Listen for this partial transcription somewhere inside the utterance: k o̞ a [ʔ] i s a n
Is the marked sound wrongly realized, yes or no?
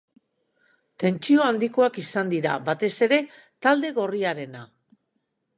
yes